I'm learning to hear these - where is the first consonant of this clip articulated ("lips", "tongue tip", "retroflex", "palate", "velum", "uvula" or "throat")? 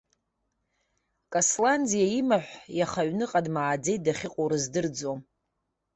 velum